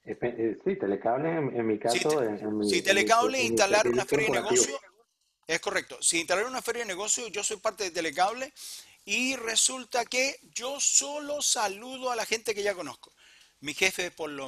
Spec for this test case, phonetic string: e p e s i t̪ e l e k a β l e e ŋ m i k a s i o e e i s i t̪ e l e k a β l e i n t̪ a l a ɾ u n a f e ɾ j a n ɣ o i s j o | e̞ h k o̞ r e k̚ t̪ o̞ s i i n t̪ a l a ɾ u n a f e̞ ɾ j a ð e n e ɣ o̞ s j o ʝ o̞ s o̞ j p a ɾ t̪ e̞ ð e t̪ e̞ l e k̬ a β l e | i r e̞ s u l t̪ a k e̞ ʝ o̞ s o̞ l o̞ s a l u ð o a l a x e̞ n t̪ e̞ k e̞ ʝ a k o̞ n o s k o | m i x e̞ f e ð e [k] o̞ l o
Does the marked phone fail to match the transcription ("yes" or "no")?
yes